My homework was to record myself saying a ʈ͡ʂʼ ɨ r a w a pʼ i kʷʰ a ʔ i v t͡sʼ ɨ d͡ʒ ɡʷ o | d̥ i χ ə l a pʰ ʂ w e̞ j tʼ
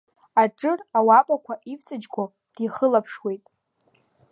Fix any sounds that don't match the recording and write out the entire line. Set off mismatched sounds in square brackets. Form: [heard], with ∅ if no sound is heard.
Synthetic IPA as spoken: a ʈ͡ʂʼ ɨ r a w a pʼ [a] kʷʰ a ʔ i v t͡sʼ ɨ d͡ʒ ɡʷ o | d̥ i χ ə l a pʰ ʂ w e̞ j tʼ